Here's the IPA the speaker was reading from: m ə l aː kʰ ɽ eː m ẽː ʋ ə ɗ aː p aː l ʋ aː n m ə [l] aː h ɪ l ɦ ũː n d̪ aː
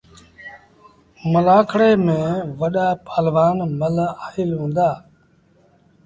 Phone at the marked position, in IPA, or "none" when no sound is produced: l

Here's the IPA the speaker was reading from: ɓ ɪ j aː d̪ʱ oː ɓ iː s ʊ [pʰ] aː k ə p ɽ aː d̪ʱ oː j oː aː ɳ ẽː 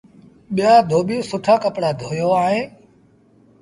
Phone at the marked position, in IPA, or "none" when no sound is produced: ʈʰ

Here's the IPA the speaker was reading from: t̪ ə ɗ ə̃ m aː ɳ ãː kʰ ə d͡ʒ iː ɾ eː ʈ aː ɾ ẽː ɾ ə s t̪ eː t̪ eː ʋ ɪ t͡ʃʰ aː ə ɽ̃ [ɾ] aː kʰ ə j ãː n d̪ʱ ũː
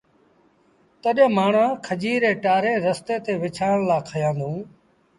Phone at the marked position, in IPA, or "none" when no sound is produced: l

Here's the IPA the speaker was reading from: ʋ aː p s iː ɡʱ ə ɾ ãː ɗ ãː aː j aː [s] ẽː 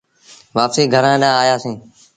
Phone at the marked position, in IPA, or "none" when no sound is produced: s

